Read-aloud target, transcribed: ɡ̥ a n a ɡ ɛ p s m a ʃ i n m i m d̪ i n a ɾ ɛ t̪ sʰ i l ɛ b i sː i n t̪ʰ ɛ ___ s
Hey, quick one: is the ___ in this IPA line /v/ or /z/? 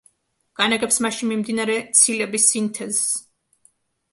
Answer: z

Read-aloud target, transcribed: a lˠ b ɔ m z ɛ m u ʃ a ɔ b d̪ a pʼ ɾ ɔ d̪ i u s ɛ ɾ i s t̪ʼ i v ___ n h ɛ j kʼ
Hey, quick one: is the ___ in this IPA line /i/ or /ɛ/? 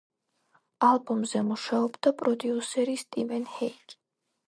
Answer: ɛ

